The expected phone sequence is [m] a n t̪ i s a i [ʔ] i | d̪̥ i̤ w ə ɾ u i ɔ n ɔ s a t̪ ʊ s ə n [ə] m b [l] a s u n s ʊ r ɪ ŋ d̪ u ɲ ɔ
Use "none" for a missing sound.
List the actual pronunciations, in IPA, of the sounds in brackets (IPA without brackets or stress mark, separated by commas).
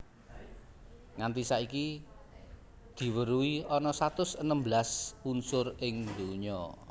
ŋ, k, ə, l